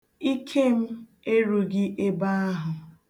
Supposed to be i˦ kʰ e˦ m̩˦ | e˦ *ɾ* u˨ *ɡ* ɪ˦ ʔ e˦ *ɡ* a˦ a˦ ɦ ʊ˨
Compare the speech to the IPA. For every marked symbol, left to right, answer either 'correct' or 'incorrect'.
correct, correct, incorrect

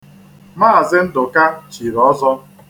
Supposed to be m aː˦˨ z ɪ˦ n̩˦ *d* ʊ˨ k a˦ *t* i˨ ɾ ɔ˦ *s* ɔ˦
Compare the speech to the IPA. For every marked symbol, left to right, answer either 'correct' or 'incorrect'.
correct, incorrect, incorrect

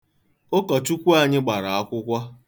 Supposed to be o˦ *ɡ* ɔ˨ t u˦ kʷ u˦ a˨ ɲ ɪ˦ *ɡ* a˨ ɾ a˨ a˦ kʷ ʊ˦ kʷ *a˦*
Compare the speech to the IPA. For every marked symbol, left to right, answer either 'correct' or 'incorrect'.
incorrect, incorrect, correct

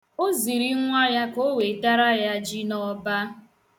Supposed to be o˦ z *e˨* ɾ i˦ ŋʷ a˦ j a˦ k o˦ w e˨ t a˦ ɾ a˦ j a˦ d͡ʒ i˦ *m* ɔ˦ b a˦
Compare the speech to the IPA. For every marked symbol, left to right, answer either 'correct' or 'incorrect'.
incorrect, incorrect

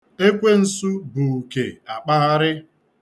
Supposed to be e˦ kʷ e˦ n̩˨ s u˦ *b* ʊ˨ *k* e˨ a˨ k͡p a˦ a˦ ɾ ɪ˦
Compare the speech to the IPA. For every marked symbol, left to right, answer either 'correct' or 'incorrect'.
correct, correct

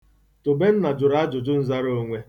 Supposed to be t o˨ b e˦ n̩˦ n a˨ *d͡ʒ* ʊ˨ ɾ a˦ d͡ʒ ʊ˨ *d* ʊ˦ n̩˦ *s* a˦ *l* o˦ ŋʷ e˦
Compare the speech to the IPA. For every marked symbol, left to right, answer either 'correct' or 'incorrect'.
correct, incorrect, incorrect, incorrect

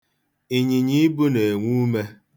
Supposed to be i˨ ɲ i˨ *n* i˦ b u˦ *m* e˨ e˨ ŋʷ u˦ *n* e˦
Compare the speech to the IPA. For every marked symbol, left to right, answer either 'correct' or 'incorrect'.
incorrect, incorrect, incorrect

